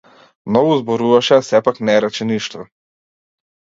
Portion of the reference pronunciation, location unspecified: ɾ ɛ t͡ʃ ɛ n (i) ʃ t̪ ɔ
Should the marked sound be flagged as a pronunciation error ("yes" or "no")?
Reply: no